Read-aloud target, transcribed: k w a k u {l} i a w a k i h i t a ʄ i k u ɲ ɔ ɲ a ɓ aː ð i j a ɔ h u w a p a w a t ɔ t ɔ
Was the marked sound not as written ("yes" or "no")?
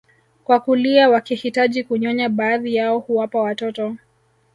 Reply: no